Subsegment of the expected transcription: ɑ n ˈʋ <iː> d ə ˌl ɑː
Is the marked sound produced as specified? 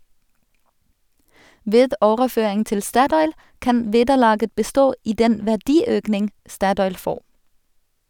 no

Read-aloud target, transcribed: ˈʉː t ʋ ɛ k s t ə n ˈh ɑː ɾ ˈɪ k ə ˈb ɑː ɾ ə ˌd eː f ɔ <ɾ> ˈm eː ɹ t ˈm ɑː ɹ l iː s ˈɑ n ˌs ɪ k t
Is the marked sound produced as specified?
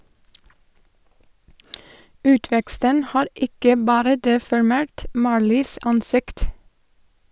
no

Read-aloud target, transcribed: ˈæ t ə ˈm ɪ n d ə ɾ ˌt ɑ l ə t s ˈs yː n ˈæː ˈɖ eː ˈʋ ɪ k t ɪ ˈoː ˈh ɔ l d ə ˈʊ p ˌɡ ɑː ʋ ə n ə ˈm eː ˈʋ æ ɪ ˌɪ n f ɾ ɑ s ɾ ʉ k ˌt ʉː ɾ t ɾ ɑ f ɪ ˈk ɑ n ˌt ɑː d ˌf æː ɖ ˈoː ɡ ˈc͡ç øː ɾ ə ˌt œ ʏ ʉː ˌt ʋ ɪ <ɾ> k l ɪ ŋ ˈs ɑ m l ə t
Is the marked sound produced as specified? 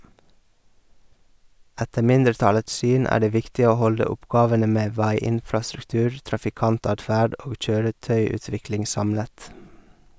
no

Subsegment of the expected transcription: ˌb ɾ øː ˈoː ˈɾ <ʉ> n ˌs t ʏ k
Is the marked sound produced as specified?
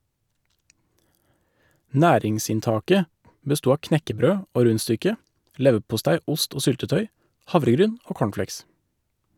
yes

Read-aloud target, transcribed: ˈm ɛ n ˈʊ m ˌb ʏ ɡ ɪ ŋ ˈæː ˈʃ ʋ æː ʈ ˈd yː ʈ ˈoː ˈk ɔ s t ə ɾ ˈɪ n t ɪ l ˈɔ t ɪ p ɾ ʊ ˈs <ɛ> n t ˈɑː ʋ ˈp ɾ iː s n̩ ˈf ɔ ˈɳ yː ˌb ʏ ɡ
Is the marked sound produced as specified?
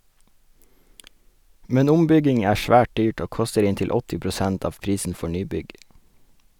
no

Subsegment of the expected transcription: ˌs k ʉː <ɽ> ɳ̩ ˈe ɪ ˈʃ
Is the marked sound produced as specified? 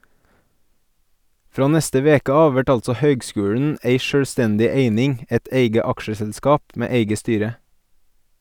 yes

